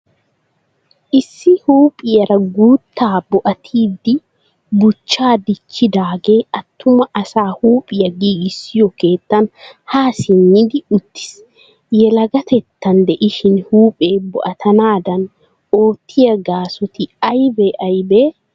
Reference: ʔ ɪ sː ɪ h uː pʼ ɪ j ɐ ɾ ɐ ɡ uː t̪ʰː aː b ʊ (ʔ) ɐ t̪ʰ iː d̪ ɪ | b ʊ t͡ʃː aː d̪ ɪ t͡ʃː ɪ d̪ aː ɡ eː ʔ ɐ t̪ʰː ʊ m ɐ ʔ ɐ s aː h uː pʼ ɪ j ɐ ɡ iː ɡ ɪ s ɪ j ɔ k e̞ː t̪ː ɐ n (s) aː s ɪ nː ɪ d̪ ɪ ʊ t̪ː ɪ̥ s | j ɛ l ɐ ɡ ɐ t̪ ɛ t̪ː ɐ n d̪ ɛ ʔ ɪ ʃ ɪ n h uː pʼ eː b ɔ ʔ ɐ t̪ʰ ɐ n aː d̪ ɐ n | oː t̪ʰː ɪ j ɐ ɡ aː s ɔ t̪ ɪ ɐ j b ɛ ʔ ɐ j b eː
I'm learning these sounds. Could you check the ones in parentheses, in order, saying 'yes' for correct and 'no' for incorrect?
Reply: yes, no

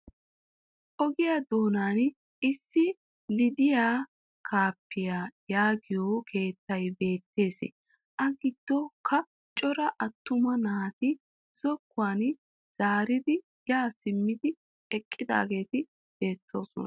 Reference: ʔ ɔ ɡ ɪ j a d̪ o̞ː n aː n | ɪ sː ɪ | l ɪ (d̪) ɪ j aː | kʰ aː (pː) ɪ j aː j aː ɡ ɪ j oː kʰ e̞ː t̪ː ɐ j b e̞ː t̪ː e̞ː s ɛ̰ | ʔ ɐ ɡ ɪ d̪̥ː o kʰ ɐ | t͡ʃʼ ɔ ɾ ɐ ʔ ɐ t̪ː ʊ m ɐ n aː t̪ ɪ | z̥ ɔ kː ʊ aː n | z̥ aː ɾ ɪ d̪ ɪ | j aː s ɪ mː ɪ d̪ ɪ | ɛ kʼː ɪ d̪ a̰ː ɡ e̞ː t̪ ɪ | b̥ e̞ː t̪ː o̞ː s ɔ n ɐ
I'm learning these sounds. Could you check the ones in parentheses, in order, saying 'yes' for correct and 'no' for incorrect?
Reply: yes, yes

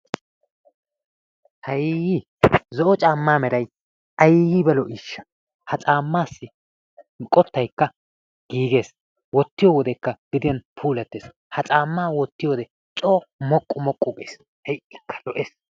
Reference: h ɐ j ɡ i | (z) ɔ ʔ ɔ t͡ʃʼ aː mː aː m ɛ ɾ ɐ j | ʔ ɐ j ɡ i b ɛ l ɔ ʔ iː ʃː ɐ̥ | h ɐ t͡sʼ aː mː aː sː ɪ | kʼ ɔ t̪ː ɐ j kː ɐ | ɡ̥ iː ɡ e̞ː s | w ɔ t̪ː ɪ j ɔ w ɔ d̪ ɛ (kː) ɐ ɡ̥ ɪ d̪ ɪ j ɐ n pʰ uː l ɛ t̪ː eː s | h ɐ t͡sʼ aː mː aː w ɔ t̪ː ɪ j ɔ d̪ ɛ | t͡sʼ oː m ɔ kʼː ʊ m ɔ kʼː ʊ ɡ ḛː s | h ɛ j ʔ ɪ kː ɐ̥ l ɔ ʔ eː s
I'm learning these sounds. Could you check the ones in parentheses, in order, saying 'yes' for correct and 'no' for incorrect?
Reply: yes, yes

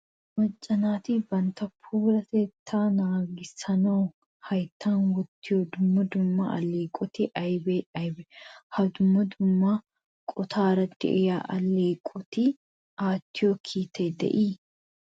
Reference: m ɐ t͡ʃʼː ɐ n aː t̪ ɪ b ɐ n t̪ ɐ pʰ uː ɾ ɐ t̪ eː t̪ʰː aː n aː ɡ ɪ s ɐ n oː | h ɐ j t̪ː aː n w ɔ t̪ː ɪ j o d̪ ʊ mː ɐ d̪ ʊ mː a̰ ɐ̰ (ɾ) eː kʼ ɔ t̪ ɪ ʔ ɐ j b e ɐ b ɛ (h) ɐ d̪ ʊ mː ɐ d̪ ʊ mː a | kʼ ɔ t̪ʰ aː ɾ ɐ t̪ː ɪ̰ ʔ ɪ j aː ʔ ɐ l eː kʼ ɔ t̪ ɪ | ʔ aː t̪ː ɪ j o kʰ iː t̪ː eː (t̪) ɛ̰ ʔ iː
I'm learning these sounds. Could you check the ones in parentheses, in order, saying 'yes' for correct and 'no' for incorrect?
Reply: no, yes, no

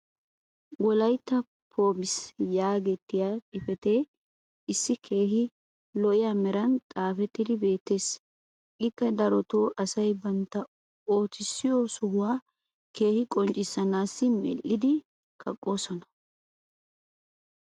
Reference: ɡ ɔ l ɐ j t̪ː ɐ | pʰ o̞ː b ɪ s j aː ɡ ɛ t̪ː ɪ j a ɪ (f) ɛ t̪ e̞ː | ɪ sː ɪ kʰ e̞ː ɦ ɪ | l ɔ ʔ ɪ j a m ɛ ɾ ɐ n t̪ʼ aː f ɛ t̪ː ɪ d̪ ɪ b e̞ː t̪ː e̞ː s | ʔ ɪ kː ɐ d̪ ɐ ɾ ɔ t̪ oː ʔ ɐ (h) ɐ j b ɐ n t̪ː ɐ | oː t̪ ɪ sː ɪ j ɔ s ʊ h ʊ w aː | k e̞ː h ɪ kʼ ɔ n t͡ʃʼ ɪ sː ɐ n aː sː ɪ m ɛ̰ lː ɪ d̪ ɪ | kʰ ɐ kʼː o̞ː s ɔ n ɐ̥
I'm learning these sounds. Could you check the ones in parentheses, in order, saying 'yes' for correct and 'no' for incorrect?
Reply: yes, no

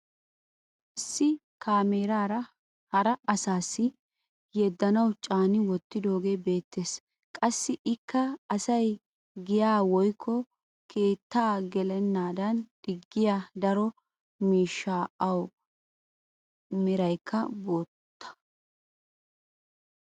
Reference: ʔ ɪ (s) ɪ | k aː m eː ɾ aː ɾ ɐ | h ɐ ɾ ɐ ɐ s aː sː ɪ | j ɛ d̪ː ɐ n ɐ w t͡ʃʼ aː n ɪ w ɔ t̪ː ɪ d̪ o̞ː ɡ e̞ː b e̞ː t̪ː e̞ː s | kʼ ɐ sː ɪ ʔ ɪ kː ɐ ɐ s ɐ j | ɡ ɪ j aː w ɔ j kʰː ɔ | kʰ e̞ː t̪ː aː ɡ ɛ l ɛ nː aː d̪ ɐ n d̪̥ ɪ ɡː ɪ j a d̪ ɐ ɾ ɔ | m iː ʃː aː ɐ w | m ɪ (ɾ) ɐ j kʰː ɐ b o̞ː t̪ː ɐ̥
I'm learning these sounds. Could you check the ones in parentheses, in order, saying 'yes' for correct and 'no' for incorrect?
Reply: no, yes

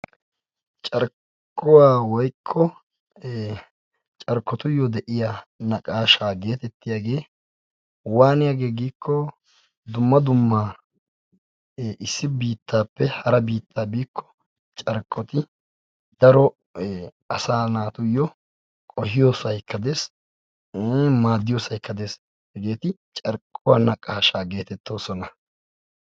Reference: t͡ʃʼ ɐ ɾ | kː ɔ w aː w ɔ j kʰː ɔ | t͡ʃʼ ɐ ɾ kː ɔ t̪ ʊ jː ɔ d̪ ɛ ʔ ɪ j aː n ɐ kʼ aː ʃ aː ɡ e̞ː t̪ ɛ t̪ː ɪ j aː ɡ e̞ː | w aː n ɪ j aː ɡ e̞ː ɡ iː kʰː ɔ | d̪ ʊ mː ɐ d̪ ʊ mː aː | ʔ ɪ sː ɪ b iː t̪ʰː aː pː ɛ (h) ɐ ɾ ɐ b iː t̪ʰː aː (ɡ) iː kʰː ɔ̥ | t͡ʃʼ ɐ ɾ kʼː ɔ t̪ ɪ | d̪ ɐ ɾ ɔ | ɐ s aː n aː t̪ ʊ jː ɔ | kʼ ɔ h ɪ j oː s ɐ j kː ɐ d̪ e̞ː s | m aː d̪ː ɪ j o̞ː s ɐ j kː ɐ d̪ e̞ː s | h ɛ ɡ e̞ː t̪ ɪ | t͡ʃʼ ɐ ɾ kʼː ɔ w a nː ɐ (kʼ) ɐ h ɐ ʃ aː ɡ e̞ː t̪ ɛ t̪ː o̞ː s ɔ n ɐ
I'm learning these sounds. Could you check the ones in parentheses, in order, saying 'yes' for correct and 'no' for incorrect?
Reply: yes, no, yes

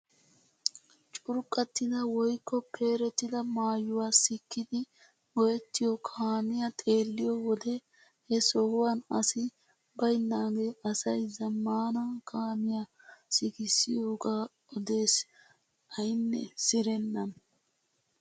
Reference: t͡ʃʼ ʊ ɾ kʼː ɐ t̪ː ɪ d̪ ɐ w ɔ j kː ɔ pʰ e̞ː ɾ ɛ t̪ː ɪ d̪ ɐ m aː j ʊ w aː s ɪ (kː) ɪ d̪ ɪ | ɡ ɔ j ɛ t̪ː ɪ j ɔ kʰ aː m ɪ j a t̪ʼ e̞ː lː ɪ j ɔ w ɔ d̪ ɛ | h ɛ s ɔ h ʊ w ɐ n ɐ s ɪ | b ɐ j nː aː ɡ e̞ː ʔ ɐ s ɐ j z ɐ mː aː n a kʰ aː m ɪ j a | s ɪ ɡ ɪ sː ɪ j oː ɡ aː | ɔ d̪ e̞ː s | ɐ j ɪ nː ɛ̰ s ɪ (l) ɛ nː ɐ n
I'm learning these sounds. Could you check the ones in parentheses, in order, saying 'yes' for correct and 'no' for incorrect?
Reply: yes, no

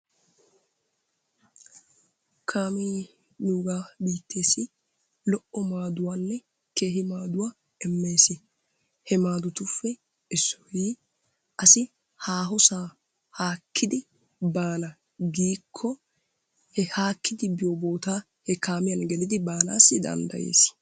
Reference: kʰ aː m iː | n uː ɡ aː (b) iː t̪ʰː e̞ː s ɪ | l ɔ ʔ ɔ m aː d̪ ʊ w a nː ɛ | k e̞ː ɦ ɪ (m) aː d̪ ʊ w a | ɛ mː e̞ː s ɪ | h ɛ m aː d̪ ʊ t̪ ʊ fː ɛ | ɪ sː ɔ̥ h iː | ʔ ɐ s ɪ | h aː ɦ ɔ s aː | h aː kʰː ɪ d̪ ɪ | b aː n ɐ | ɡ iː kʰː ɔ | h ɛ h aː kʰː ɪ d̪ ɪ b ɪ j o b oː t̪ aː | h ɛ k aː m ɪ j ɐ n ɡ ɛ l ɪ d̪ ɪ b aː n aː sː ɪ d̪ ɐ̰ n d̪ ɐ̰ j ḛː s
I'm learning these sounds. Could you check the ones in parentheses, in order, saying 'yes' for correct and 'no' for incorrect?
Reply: yes, yes

